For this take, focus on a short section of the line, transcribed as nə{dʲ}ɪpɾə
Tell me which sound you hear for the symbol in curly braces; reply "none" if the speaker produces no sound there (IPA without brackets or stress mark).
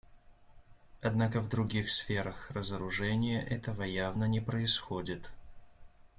nʲ